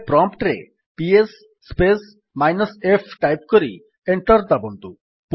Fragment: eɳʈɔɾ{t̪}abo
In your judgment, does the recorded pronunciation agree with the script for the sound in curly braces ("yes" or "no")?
no